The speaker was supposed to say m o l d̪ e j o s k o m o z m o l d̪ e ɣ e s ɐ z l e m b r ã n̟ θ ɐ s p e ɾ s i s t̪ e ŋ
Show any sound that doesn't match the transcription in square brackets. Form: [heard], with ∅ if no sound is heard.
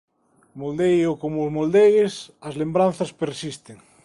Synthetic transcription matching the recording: m o l d̪ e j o [∅] k o m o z m o l d̪ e ɣ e s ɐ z l e m b [ɾ] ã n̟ θ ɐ s p e ɾ s i s t̪ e ŋ